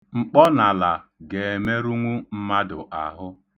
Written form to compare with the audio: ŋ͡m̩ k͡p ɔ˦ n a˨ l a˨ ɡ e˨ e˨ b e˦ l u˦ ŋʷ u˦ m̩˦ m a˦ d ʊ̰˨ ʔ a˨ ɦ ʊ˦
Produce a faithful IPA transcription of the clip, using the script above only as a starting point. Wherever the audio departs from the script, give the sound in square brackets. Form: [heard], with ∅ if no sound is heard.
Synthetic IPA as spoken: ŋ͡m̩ k͡p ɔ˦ n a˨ l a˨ ɡ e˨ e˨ [m] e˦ [ɾ] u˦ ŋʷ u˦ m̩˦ m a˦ d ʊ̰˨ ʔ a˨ ɦ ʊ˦

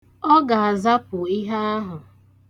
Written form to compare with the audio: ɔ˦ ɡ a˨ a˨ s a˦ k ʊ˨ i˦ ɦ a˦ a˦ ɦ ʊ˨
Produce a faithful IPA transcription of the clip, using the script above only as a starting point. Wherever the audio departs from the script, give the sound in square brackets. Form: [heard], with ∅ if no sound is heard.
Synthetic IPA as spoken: ɔ˦ ɡ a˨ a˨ [z] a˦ [p] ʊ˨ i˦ ɦ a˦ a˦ ɦ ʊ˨

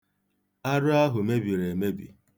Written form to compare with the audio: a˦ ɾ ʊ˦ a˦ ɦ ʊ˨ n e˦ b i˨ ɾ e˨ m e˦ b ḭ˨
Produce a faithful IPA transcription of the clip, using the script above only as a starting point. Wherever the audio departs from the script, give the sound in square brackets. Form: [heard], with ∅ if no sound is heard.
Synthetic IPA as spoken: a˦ ɾ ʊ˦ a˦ ɦ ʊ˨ [m] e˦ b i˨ ɾ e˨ m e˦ b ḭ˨

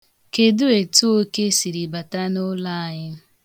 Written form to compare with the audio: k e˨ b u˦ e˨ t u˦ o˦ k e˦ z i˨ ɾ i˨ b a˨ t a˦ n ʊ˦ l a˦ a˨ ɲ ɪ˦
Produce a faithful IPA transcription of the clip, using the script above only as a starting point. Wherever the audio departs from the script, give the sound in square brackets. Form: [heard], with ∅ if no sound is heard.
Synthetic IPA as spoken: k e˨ [d] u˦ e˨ t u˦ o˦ k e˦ [s] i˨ ɾ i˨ b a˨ t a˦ n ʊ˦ l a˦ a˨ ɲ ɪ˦

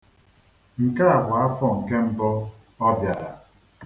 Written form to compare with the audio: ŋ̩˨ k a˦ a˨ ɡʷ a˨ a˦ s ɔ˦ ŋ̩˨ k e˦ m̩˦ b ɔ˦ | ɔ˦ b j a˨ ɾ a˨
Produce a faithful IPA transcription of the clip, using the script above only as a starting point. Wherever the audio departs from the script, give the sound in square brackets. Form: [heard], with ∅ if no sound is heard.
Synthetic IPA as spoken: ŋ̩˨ k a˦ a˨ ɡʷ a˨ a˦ [f] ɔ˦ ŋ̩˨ k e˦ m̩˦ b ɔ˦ | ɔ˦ b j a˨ ɾ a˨

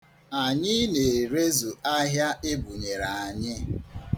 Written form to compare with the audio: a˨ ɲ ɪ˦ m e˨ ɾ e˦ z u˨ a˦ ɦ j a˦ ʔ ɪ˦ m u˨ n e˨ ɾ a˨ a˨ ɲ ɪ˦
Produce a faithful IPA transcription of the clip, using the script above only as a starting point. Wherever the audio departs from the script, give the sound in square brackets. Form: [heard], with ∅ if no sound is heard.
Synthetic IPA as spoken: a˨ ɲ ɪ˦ [n] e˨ ɾ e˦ z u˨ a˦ ɦ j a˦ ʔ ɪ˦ [b] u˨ [ɲ] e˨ ɾ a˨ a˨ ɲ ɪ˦

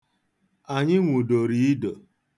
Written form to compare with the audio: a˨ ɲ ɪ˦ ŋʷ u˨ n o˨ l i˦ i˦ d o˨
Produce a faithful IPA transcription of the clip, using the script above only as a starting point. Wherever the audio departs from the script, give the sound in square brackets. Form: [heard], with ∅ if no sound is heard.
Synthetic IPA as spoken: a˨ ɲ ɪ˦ ŋʷ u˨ [d] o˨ [ɾ] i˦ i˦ d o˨

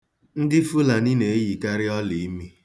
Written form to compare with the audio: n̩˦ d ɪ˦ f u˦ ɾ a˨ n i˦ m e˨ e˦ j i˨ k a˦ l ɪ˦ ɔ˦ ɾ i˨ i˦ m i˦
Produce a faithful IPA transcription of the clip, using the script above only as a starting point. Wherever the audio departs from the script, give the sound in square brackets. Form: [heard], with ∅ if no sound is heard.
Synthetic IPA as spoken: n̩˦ d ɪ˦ f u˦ [l] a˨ n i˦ [n] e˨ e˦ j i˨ k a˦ [ɾ] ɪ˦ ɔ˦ [l] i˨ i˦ m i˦

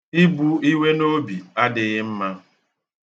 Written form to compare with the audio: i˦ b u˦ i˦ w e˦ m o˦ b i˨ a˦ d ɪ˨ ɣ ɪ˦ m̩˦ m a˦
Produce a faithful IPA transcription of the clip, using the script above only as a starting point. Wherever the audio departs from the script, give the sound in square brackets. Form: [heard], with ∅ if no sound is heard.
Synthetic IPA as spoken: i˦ b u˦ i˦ w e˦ [n] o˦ b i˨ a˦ d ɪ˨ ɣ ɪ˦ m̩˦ m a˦

